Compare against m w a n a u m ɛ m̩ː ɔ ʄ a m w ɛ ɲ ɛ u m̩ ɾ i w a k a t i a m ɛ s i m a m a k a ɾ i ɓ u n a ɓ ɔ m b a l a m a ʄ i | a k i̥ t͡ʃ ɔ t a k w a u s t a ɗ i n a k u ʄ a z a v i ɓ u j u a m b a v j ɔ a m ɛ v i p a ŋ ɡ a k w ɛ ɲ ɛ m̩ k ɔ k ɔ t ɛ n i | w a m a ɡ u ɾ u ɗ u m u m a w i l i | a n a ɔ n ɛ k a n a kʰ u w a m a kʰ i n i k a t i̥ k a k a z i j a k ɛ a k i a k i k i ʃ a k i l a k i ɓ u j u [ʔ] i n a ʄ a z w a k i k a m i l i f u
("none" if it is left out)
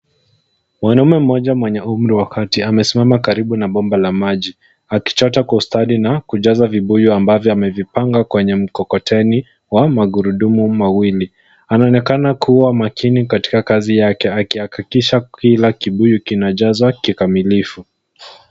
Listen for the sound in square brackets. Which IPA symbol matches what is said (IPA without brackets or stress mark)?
k